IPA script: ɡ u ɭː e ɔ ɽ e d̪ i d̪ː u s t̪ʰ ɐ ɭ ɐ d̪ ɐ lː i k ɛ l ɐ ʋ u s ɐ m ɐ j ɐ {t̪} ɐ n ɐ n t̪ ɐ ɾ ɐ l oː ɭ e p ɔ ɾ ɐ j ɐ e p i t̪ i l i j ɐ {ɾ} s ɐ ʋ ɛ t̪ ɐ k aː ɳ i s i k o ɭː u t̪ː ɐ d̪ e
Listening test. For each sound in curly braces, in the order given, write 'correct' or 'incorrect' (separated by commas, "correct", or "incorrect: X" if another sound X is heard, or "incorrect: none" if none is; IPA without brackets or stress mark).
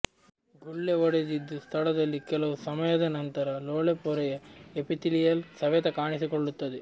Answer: incorrect: d̪, incorrect: l